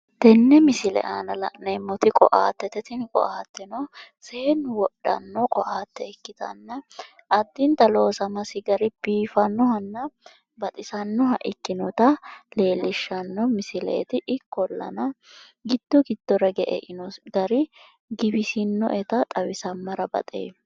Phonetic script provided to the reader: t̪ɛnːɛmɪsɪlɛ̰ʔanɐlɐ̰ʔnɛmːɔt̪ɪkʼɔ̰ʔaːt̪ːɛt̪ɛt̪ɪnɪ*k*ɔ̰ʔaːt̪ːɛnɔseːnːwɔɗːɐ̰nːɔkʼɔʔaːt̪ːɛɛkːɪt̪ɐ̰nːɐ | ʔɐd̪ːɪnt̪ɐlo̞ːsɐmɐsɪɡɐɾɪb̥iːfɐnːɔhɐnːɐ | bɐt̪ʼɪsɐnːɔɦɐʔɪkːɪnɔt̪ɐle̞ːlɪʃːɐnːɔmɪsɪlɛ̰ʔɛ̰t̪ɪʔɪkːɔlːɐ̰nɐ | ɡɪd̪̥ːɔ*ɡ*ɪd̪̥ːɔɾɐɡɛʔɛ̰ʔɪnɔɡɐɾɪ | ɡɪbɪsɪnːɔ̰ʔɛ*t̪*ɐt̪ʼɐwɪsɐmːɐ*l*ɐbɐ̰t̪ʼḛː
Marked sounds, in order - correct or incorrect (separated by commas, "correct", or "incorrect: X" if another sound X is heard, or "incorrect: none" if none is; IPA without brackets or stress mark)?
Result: incorrect: kʼ, correct, correct, incorrect: ɾ